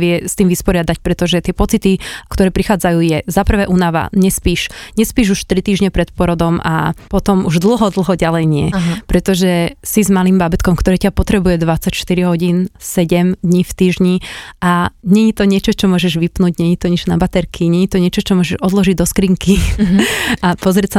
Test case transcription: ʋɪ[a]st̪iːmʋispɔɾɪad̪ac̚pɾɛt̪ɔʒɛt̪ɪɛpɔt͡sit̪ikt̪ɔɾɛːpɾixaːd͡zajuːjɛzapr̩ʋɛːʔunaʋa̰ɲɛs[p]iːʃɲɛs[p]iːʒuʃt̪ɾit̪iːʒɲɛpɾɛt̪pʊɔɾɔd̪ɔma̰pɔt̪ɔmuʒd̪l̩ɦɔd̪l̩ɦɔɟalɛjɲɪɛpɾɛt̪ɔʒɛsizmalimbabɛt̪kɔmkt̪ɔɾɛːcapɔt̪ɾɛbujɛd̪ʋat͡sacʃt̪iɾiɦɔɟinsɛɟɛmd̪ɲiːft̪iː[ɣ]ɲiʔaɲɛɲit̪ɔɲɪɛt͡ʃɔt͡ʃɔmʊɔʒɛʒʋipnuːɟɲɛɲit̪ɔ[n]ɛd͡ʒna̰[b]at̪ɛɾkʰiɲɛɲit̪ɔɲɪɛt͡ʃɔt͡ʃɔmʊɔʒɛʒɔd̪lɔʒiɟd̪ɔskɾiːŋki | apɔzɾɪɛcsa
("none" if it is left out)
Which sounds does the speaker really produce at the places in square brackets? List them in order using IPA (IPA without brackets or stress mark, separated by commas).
ɛ, p, p, ʒ, ɲ, b